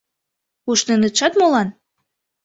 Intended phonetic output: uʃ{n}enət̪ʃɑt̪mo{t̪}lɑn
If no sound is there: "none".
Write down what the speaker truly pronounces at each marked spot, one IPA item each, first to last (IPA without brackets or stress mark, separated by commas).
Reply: n, none